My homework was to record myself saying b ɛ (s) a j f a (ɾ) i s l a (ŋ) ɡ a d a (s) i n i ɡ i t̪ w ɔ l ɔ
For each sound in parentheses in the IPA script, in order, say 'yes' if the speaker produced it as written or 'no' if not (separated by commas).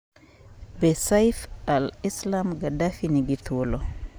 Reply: yes, no, no, no